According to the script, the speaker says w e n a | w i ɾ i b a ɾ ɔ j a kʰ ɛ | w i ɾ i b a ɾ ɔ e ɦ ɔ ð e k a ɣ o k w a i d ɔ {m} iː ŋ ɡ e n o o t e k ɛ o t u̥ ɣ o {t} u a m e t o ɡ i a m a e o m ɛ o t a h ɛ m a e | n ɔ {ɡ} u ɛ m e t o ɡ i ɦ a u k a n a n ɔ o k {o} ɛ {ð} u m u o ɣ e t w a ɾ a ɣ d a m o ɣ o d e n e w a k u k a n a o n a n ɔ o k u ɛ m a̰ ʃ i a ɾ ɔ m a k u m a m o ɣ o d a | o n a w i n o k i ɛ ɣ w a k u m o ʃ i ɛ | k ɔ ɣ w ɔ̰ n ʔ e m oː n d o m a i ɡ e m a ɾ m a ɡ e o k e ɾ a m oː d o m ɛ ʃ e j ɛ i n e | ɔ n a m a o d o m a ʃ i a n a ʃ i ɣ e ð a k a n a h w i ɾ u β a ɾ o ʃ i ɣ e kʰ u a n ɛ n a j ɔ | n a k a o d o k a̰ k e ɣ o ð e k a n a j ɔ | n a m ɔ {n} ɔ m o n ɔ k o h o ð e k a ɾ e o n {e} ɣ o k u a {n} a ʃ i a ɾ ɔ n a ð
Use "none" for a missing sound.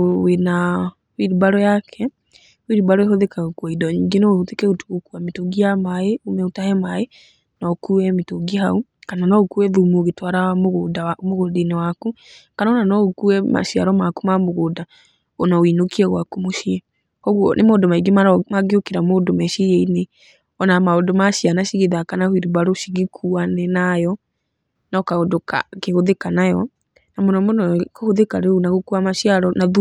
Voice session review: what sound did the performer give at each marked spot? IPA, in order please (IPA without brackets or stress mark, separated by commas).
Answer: ɲ, k, k, u, ð, n, a, m